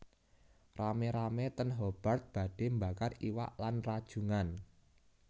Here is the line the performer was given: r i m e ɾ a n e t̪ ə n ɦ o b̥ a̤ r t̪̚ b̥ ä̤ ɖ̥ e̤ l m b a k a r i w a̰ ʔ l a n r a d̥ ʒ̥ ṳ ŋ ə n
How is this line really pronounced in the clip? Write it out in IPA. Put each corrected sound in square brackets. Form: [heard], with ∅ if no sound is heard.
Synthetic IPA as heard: r [a] m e ɾ a [m] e t̪ ə n ɦ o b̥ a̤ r t̪̚ b̥ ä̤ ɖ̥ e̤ [∅] m b a k a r i w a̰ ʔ l a n r a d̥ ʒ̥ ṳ ŋ [a] n